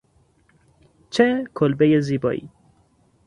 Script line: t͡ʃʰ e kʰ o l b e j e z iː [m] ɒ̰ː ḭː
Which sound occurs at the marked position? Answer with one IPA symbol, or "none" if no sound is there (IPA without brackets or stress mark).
b